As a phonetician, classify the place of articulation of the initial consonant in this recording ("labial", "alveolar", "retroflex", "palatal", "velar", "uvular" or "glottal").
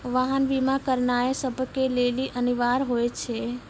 labial